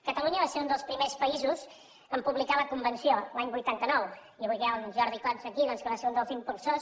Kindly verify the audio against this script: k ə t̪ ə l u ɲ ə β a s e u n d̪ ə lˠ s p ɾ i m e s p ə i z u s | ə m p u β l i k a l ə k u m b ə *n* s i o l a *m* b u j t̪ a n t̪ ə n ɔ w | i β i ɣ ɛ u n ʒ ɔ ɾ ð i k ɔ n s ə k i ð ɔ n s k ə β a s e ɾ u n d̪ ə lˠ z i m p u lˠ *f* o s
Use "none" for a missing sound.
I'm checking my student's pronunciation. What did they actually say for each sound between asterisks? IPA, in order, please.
n, ɲ, s

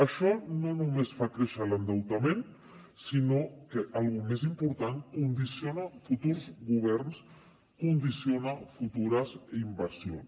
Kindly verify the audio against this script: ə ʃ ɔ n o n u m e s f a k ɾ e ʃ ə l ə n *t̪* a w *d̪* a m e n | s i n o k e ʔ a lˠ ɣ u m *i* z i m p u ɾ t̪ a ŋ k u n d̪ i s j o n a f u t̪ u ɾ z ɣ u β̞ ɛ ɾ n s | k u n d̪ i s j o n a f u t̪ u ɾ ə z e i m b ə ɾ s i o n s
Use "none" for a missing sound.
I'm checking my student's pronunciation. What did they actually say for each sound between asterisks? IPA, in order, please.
d̪, t̪, e

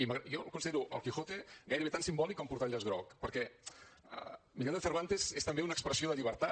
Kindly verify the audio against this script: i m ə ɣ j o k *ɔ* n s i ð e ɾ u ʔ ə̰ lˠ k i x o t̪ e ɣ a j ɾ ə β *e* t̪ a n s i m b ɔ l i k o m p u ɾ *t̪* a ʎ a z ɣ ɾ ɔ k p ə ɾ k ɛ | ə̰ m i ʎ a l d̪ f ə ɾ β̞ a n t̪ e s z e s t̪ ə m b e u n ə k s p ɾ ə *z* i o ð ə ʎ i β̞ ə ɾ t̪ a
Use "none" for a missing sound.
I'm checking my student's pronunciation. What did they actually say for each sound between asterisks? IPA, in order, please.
u, e, t̪, s

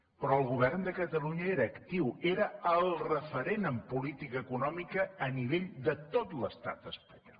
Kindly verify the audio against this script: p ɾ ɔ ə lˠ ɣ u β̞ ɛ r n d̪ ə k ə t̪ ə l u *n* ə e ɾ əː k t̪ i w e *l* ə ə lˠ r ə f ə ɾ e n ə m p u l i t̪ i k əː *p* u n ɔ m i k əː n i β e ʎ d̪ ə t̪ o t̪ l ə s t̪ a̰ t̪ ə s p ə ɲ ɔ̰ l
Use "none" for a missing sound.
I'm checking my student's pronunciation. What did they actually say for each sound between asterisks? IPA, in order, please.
ɲ, ɾ, k

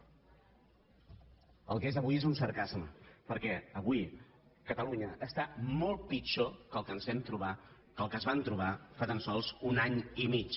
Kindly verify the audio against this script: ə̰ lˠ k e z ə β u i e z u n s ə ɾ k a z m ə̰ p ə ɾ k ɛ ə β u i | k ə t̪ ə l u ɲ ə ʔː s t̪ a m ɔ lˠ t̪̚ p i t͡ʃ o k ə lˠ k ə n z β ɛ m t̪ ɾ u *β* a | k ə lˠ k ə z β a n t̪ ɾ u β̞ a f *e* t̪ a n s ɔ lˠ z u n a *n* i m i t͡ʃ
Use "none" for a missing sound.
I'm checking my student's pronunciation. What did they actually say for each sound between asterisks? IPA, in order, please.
β, a, ɲ

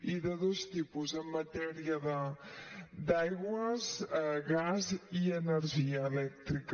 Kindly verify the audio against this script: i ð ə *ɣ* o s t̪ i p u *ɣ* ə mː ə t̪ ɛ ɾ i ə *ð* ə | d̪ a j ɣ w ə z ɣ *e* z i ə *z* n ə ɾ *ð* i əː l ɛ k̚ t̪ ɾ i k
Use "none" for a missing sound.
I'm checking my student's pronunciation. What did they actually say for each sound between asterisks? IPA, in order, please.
ð, z, ð, a, none, ʒ

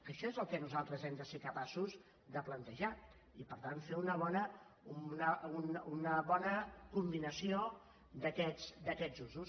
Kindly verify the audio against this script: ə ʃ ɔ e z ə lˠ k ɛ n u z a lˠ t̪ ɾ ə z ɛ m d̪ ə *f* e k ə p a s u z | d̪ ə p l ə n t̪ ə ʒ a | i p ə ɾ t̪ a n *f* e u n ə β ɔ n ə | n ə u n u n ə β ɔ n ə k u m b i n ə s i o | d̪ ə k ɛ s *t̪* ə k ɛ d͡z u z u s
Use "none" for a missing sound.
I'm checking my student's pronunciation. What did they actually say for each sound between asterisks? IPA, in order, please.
s, f, d̪

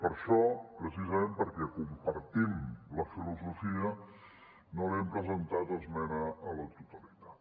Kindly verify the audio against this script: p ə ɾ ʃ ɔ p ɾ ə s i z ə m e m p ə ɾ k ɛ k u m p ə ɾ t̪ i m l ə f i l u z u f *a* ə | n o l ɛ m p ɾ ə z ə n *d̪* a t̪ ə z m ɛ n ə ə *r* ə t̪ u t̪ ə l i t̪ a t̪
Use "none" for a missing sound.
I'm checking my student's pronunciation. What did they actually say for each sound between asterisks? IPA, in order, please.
i, t̪, l

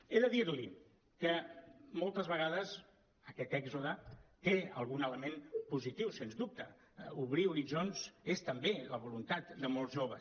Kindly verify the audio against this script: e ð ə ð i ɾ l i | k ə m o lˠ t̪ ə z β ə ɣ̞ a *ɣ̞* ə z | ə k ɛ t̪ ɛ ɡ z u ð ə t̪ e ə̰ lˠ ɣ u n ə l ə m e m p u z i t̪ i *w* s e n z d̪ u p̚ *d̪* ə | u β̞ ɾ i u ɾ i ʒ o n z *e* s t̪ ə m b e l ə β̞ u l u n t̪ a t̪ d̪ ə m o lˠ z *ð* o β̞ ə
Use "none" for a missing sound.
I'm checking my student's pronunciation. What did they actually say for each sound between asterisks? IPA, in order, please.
ð̞, w, t̪, e, ʒ

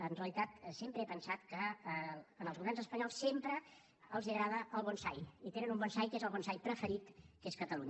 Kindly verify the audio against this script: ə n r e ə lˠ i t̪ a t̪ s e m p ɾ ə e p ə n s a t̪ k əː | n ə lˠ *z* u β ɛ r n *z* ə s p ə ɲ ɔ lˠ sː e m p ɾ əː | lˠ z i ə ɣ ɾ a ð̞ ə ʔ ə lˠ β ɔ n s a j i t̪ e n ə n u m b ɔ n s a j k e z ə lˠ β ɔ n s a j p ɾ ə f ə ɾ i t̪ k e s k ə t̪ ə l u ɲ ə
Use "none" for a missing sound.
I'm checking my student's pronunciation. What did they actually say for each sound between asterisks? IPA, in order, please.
z, z

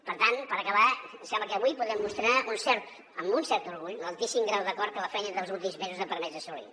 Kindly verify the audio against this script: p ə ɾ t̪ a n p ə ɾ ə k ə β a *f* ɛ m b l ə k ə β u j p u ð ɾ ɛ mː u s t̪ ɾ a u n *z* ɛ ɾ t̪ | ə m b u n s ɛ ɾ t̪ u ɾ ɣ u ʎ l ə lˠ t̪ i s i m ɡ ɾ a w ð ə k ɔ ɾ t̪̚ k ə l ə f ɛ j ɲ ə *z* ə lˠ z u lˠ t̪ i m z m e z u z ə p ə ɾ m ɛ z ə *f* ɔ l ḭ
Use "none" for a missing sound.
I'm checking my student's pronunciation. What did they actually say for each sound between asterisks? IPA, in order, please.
s, s, ð, s

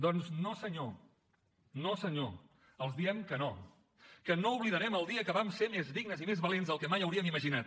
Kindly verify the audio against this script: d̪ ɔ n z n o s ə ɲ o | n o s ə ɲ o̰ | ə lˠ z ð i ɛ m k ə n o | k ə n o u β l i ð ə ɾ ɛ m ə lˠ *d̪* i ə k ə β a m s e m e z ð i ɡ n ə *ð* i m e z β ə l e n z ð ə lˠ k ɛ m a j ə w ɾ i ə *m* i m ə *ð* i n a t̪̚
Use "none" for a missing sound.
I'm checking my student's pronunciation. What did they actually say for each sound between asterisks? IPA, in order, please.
d̪, z, m, ʒ

